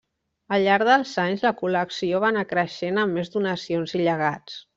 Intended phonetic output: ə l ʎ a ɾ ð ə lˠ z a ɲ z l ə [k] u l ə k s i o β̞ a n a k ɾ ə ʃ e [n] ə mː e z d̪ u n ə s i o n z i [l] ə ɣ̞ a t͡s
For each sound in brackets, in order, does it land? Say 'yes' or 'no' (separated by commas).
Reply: yes, yes, no